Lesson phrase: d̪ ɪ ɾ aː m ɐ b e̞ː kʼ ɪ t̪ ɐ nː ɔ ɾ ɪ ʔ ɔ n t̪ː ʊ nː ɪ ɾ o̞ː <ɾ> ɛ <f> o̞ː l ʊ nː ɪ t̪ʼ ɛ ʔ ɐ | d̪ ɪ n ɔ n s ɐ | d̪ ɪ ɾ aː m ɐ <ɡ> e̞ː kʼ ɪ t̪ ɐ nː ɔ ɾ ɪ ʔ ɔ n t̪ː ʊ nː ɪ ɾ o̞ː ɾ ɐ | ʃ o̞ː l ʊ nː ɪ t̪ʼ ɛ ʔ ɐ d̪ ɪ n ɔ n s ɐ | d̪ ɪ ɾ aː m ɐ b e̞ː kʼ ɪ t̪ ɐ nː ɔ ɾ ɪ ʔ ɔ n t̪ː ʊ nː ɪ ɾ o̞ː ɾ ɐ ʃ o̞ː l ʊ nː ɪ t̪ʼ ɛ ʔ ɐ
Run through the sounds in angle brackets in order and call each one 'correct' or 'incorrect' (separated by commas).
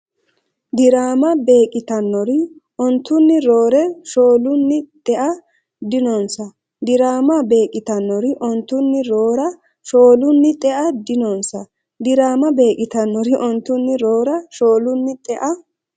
correct, incorrect, incorrect